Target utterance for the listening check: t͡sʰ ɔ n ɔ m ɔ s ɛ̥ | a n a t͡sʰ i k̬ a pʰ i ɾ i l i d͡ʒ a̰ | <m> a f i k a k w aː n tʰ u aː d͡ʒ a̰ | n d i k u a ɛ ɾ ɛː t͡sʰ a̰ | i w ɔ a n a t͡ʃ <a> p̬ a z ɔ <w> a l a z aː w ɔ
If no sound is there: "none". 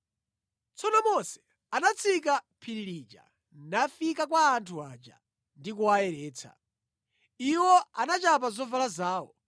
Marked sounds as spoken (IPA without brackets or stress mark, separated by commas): n, a, v